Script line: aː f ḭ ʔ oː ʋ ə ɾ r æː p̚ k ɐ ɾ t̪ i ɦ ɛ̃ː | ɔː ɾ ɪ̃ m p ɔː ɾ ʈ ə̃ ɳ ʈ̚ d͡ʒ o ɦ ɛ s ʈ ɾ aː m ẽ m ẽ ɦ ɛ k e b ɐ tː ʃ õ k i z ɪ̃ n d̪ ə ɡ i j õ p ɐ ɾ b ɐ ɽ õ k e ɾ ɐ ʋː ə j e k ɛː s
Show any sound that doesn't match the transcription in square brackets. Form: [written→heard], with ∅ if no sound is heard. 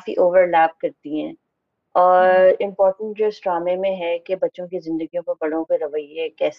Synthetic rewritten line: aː f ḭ ʔ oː ʋ ə ɾ [r→l] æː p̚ k ɐ ɾ t̪ i ɦ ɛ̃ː | ɔː ɾ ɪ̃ m p ɔː ɾ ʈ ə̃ ɳ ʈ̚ d͡ʒ o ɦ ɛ s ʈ ɾ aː m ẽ m ẽ ɦ ɛ k e b ɐ tː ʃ õ k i z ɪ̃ n d̪ ə ɡ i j õ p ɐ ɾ b ɐ ɽ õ k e ɾ ɐ [ʋː→ʋ] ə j e k ɛː s